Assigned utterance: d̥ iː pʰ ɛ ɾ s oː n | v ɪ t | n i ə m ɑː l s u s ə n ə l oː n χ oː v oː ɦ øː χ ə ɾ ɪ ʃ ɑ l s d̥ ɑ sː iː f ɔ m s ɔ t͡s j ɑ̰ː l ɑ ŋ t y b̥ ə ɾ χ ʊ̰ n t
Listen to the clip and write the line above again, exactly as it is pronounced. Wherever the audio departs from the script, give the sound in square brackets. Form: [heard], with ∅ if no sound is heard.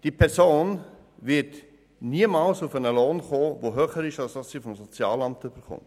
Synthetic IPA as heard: d̥ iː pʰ ɛ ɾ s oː n | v ɪ t | n i ə m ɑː l s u [f] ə n ə l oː n χ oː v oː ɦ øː χ ə ɾ ɪ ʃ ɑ l s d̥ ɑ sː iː f ɔ m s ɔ t͡s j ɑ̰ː l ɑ [m] t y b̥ ə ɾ χ ʊ̰ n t